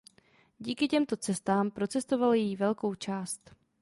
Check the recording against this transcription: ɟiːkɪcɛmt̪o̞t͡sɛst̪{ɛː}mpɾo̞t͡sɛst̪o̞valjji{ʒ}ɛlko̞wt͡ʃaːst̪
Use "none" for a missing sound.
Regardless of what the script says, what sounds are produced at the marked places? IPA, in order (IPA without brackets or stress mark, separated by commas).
aː, v